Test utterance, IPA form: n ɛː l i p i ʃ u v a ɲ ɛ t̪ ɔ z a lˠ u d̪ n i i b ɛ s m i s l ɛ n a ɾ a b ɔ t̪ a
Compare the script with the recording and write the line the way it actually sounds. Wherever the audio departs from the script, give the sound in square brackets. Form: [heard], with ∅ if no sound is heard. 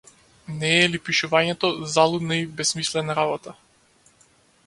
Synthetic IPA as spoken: n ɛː l i p i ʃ u v a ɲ ɛ t̪ ɔ z a lˠ u d̪ n [a] i b ɛ s m i s l ɛ n a ɾ a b ɔ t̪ a